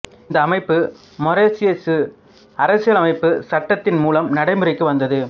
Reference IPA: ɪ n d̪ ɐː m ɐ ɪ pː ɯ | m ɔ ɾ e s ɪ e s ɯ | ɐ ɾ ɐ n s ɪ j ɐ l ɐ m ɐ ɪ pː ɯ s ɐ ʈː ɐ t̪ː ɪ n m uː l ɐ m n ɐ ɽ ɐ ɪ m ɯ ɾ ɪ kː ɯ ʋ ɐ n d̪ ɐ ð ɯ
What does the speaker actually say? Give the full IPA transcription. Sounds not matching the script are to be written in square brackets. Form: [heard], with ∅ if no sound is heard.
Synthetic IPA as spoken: ɪ n d̪ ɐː m ɐ ɪ pː ɯ | m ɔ ɾ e s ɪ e s ɯ | ɐ ɾ ɐ [∅] s ɪ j ɐ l ɐ m ɐ ɪ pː ɯ s ɐ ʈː ɐ t̪ː ɪ n m uː l ɐ m n ɐ ɽ ɐ ɪ m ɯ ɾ ɪ kː ɯ ʋ ɐ n d̪ ɐ ð ɯ

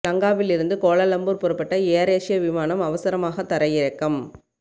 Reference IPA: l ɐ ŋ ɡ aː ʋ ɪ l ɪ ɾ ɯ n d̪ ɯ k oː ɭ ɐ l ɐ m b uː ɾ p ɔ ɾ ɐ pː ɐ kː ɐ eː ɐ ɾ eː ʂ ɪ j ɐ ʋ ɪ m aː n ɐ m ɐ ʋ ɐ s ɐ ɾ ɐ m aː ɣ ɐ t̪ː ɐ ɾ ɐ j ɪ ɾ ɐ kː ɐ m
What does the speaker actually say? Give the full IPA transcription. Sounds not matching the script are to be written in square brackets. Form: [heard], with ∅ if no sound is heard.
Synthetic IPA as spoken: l ɐ ŋ ɡ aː ʋ ɪ l ɪ ɾ ɯ n d̪ ɯ k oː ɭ ɐ l ɐ m b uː ɾ p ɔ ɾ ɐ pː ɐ [ʈː] ɐ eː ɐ ɾ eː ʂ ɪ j ɐ ʋ ɪ m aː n ɐ m ɐ ʋ ɐ s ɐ ɾ ɐ m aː ɣ ɐ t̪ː ɐ ɾ ɐ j ɪ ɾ ɐ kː ɐ m

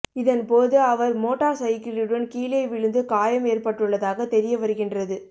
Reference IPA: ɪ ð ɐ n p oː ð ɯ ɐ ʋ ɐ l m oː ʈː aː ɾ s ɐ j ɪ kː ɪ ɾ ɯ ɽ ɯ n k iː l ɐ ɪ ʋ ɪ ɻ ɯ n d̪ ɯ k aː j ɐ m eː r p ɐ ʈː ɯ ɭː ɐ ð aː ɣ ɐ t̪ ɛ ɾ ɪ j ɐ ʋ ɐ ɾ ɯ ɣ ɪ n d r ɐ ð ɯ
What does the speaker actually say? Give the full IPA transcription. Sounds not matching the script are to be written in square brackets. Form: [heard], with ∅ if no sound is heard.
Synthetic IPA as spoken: ɪ ð ɐ n p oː ð ɯ ɐ ʋ ɐ [ɾ] m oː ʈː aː ɾ s ɐ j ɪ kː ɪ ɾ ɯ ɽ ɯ n k iː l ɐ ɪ ʋ ɪ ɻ ɯ n d̪ ɯ k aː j ɐ m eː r p ɐ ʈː ɯ ɭː ɐ ð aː ɣ ɐ t̪ ɛ ɾ ɪ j ɐ ʋ ɐ ɾ ɯ ɣ ɪ n d r ɐ ð ɯ

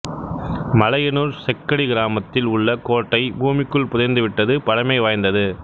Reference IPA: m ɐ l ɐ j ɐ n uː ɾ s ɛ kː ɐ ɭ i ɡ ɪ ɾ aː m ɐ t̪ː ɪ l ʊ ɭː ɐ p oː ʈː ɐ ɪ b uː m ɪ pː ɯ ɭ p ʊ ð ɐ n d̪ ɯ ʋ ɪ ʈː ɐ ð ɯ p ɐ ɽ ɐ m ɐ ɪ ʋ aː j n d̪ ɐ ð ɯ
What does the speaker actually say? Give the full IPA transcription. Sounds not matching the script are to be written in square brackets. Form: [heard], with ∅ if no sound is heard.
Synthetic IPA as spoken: m ɐ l ɐ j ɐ n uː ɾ s ɛ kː ɐ [ɽ] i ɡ ɪ ɾ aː m ɐ t̪ː ɪ l ʊ ɭː ɐ [k] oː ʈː ɐ ɪ b uː m ɪ [kː] ɯ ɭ p ʊ ð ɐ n d̪ ɯ ʋ ɪ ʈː ɐ ð ɯ p ɐ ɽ ɐ m ɐ ɪ ʋ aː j n d̪ ɐ ð ɯ

